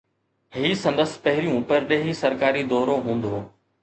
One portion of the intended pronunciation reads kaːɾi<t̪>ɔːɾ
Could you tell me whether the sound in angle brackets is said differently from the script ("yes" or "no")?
yes